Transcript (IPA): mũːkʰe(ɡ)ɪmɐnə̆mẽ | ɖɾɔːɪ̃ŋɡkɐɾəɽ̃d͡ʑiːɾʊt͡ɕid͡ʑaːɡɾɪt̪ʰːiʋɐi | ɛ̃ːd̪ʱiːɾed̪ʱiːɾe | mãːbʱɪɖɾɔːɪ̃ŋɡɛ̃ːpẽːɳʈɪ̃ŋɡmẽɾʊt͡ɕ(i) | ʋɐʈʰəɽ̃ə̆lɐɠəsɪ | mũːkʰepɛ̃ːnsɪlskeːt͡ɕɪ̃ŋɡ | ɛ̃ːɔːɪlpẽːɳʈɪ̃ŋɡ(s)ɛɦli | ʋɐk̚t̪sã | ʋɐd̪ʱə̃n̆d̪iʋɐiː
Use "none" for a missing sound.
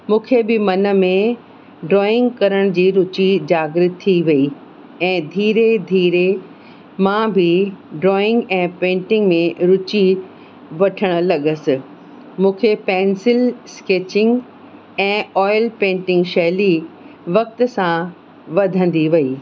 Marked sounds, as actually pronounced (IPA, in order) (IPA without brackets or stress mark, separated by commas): b, i, ʃ